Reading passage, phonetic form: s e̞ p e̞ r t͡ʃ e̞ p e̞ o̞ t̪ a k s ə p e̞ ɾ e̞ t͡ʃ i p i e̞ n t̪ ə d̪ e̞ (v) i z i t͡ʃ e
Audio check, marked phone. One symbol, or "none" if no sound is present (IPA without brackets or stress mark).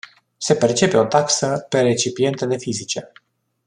f